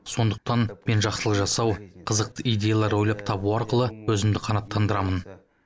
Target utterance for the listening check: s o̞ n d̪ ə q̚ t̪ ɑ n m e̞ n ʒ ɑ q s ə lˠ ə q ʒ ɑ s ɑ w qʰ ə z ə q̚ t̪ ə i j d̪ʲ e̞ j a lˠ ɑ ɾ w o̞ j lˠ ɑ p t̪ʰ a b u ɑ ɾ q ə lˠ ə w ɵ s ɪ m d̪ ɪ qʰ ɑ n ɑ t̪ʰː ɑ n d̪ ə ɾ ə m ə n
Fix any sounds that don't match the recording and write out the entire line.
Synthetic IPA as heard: s o̞ n d̪ ə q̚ t̪ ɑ n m e̞ n ʒ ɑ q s ə lˠ ə q ʒ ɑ s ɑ w qʰ ə z ə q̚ t̪ ə i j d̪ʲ e̞ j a lˠ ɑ ɾ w o̞ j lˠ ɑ p t̪ʰ ɑ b u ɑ ɾ q ə lˠ ə w ɵ z ɪ m d̪ ɪ qʰ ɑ n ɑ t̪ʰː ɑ n d̪ ə ɾ ɑ m ə n